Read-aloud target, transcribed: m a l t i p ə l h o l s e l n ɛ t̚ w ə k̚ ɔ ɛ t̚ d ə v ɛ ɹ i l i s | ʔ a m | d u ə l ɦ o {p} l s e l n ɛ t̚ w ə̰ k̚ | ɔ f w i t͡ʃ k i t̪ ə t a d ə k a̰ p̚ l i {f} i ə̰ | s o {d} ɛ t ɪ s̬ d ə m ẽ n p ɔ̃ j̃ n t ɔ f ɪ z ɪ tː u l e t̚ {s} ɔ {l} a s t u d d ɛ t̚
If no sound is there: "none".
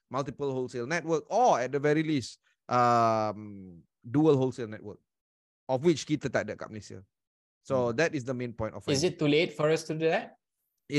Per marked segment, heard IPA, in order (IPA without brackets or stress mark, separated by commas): none, s, d, f, ɹ